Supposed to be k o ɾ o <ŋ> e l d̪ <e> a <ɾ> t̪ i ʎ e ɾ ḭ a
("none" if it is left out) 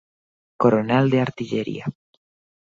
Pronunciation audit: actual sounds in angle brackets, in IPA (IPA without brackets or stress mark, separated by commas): n, e, ɾ